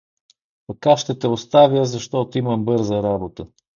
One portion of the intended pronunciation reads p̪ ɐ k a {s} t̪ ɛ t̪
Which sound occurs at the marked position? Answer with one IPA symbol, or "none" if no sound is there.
ʃ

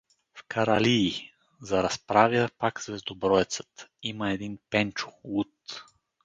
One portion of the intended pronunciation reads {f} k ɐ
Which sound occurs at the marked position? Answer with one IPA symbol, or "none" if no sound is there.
f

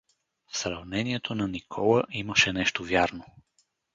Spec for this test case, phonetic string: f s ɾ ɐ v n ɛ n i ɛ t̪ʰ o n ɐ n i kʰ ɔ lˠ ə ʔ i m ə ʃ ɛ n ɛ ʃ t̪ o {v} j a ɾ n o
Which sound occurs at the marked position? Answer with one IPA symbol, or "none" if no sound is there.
v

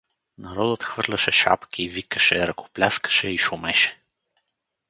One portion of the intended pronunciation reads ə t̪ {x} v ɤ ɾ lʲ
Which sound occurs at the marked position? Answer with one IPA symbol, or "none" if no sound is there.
x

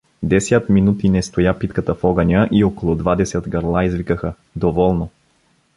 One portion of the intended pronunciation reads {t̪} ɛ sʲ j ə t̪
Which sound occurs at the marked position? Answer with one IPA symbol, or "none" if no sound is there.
d̪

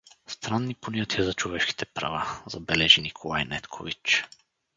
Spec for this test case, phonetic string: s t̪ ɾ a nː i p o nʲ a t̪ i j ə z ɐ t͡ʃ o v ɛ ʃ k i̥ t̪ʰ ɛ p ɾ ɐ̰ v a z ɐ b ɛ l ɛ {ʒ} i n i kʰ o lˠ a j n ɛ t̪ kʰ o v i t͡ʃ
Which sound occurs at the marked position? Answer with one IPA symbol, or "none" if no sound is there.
ʒ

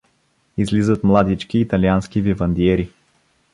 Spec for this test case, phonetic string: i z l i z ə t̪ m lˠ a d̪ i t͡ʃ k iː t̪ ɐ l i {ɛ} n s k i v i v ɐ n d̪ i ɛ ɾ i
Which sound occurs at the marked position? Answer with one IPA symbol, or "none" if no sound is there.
a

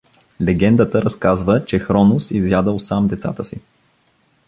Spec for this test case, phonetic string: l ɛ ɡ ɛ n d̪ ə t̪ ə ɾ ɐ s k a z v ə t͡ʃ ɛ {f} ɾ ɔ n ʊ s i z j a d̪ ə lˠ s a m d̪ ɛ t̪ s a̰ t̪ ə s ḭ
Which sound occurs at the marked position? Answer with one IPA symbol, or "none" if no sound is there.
x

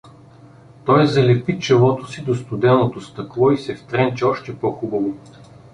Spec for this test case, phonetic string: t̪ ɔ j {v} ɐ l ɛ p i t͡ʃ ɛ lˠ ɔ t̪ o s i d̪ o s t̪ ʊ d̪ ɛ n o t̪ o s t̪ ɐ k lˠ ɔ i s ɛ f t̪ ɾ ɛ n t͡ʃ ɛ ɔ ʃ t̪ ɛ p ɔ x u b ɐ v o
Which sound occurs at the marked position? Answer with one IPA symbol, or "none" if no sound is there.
z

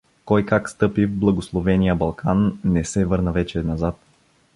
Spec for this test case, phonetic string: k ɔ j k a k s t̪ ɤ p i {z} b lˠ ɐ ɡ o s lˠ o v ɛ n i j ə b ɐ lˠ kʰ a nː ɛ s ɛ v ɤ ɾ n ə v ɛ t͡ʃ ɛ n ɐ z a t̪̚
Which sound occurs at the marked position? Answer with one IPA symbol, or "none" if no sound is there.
v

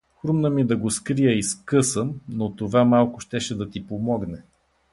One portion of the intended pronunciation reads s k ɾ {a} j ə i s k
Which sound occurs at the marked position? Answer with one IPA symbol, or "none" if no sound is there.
i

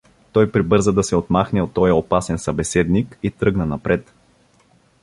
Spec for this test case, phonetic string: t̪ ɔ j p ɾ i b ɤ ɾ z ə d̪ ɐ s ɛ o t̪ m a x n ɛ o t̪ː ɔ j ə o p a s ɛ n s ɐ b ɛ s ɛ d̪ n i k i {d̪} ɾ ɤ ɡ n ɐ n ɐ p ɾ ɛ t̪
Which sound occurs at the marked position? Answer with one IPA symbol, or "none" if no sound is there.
t̪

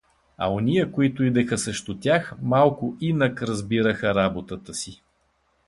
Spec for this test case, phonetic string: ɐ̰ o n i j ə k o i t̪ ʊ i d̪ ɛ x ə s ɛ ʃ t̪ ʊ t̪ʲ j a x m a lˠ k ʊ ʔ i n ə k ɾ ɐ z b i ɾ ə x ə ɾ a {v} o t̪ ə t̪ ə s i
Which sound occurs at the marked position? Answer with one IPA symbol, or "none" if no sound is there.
b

